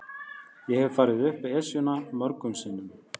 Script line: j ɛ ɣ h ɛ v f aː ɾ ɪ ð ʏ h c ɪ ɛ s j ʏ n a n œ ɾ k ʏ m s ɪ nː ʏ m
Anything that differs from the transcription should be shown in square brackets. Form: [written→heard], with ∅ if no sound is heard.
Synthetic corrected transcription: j ɛ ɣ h ɛ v f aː ɾ ɪ ð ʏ h [c→p] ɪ ɛ s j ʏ n a [n→m] œ ɾ k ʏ m s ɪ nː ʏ m

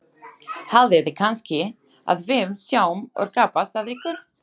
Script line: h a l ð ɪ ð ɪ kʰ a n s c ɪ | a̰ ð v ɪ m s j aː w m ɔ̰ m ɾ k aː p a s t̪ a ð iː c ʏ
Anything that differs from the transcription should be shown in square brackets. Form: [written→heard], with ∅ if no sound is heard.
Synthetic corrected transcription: h a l ð ɪ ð ɪ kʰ a n s c ɪ | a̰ ð v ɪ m s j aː w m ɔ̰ [m→∅] ɾ k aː p a s t̪ a ð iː [c→k] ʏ

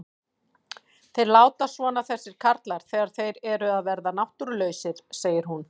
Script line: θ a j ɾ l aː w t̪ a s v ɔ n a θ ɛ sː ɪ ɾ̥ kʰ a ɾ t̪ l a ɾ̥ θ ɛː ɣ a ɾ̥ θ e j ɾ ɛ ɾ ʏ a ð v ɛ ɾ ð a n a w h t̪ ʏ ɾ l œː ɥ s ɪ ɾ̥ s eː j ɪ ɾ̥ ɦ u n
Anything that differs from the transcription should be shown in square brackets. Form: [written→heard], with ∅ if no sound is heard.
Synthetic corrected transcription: θ [a→e] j ɾ l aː w t̪ a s v ɔ n a θ ɛ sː ɪ ɾ̥ kʰ a ɾ t̪ l a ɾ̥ θ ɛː ɣ a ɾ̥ θ e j ɾ ɛ ɾ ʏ a ð v ɛ ɾ ð a n a w h t̪ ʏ ɾ l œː ɥ s ɪ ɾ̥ s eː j ɪ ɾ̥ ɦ u n

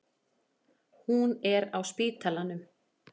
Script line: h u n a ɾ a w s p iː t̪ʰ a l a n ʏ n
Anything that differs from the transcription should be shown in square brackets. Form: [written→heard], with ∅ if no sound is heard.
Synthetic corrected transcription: h u n [a→ɛ] ɾ a w s p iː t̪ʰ a l a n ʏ [n→m]

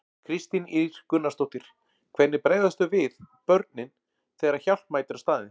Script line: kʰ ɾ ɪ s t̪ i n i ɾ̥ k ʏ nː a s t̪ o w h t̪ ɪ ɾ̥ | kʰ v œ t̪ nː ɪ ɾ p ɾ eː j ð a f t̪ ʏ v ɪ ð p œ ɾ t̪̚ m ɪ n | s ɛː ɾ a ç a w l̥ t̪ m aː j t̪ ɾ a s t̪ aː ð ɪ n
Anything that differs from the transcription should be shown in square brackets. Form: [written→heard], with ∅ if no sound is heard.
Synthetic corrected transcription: kʰ ɾ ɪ s t̪ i n i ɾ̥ k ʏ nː a s t̪ o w h t̪ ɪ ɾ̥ | kʰ v [œ→ɛ] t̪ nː ɪ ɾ p ɾ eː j ð a [f→s] t̪ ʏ v ɪ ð p œ ɾ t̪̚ [m→n] ɪ n | [s→θ] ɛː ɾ a ç a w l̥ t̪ m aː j t̪ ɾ a s t̪ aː ð ɪ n

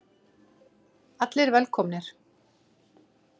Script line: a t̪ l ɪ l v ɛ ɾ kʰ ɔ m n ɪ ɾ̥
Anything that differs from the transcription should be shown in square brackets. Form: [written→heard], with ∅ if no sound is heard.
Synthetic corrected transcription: a t̪ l ɪ [l→ɾ] v ɛ [ɾ→l] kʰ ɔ m n ɪ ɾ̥

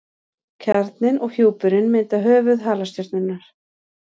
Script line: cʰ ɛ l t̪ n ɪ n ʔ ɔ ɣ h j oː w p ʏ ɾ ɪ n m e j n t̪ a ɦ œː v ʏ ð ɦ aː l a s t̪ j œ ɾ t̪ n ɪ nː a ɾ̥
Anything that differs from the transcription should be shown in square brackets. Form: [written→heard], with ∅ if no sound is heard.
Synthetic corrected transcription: cʰ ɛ [l→ɾ] t̪ n ɪ n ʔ ɔ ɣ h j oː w p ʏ ɾ ɪ n m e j n t̪ a ɦ œː v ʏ ð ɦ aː l a s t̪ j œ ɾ t̪ n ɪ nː a ɾ̥

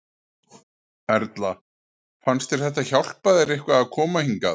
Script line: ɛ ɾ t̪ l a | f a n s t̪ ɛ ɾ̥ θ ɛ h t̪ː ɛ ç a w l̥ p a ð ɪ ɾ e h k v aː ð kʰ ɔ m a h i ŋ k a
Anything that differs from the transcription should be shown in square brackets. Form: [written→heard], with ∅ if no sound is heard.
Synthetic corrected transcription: ɛ ɾ t̪ l a | f a n s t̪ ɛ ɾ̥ θ ɛ h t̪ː [ɛ→a] ç a w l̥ p a ð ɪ ɾ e h k v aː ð kʰ [ɔ→ɔː] m a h i ŋ k a

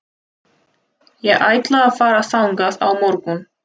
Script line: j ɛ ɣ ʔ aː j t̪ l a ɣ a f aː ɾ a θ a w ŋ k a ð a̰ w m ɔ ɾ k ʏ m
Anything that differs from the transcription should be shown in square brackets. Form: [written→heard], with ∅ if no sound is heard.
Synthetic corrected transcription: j ɛ ɣ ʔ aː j t̪ l a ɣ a f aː ɾ a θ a w ŋ k a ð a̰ w m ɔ ɾ k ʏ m

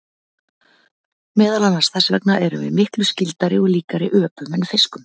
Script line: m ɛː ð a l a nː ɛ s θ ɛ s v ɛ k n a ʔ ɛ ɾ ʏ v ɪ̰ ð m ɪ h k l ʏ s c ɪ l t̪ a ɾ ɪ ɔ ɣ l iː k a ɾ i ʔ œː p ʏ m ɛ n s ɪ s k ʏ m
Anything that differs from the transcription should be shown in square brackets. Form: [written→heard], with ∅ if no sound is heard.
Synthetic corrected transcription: m ɛː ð a l a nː [ɛ→a] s θ ɛ s v ɛ k n a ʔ ɛ ɾ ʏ v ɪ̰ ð m ɪ h k l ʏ s c ɪ l t̪ a ɾ ɪ ɔ ɣ l iː k a ɾ [i→ɪ] ʔ œː p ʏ m ɛ n [s→f] ɪ s k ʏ m

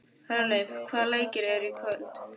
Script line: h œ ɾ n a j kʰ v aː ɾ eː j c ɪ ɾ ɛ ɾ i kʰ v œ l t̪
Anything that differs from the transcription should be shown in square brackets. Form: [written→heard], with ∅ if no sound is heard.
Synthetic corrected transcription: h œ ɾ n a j kʰ v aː [ɾ→l] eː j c ɪ ɾ ɛ ɾ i kʰ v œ l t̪

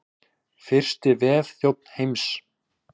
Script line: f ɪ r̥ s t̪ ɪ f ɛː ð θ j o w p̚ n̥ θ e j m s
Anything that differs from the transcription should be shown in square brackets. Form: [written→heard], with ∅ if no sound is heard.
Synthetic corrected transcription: f ɪ r̥ s t̪ ɪ [f→v] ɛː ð θ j o w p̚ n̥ [θ→h] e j m s

